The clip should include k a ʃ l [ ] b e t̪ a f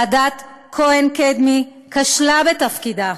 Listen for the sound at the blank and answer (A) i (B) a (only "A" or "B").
B